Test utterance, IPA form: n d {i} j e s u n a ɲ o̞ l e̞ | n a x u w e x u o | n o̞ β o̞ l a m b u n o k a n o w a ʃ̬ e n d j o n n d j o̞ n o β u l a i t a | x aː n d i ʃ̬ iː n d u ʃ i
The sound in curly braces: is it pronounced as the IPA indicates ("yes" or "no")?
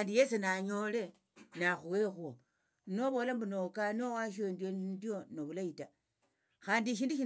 yes